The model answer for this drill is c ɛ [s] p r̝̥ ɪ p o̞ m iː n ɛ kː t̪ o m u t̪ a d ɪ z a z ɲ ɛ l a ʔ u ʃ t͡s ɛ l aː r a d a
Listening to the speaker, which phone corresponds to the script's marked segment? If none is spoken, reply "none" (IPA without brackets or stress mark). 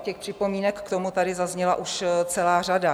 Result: x